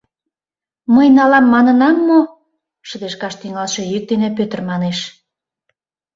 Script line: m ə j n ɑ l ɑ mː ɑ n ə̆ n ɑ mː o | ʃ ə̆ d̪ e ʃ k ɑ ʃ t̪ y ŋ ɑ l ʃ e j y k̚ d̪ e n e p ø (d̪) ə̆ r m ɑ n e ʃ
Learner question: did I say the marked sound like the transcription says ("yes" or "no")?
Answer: no